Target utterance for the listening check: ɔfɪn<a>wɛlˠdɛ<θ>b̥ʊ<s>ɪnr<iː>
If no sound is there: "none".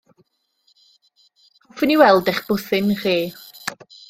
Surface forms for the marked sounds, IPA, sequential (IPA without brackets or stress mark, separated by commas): i, χ, θ, iː